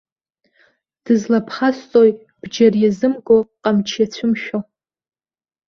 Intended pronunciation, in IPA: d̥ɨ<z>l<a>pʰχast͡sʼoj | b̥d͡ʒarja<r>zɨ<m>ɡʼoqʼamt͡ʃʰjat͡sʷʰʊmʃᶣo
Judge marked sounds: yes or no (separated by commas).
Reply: yes, yes, no, yes